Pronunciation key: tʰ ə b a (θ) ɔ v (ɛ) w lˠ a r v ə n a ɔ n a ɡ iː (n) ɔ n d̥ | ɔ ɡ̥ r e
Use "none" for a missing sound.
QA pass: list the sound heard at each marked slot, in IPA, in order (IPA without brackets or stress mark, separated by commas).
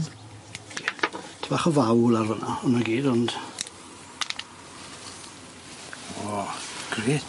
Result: χ, a, d